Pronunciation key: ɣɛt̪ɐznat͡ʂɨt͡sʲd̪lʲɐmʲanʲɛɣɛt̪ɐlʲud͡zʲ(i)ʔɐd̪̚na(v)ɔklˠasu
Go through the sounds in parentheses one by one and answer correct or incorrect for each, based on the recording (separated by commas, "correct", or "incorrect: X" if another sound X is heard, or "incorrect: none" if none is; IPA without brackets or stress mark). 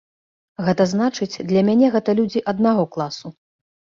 correct, incorrect: ɣ